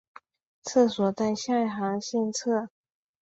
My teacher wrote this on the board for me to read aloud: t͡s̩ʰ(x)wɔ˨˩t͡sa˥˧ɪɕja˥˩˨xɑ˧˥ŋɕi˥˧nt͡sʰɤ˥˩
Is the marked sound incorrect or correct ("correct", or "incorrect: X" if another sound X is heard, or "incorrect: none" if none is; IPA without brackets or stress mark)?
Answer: incorrect: s